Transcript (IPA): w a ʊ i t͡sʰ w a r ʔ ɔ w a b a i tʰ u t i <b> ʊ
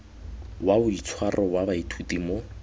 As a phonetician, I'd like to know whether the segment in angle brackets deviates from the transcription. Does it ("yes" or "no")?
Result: yes